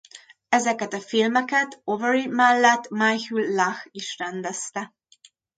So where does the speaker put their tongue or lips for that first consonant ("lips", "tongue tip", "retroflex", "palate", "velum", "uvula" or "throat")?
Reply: tongue tip